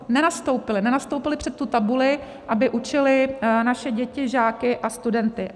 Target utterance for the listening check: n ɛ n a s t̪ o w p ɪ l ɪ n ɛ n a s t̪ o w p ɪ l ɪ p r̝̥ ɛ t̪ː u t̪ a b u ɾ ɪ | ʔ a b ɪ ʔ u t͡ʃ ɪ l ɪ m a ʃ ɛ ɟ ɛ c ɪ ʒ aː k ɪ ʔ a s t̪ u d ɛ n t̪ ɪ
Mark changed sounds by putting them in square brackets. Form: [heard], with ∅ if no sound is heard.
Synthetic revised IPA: n ɛ n a s t̪ o w p ɪ l ɪ n ɛ n a s t̪ o w p ɪ l ɪ p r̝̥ ɛ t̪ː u t̪ a b u [l] ɪ | ʔ a b ɪ ʔ u t͡ʃ ɪ l ɪ [n] a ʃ ɛ ɟ ɛ c ɪ ʒ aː k ɪ ʔ a s t̪ u d ɛ n t̪ ɪ